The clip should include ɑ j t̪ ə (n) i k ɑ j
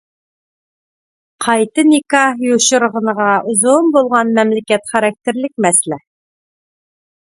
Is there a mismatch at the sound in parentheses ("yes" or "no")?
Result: no